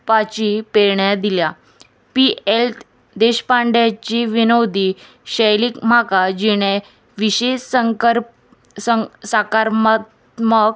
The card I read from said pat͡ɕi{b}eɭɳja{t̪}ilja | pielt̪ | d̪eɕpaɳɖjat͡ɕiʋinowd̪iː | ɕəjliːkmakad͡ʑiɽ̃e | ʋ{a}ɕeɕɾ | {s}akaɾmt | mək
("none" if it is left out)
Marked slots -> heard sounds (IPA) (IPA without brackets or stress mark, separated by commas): p, d̪, i, s